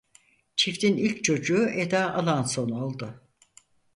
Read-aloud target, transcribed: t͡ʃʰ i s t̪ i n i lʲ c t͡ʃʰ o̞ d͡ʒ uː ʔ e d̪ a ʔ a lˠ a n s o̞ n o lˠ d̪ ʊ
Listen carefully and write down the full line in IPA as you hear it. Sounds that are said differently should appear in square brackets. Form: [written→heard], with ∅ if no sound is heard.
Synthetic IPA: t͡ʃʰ i [s→f] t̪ i n i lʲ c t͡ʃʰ o̞ d͡ʒ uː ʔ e d̪ a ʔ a lˠ a n s o̞ n o lˠ d̪ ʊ